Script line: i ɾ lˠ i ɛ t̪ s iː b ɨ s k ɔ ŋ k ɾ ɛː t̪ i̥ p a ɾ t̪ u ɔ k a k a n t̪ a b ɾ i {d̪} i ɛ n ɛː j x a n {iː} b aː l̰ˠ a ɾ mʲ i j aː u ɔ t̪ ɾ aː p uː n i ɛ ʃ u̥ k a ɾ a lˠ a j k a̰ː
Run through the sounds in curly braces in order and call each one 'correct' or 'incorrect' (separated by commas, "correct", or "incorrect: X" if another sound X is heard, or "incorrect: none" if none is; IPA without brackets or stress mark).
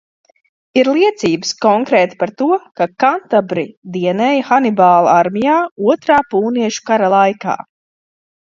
correct, incorrect: i